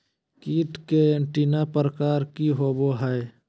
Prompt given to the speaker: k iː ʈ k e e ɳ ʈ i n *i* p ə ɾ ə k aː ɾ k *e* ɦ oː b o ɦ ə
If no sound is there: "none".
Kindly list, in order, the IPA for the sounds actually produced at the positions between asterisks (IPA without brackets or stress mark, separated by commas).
a, i